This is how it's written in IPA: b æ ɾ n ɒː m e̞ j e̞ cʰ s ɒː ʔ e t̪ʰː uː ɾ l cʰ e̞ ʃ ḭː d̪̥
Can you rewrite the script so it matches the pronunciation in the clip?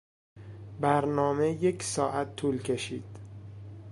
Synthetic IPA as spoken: b æ ɾ n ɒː m e̞ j e̞ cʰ s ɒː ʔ æ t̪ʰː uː l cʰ e̞ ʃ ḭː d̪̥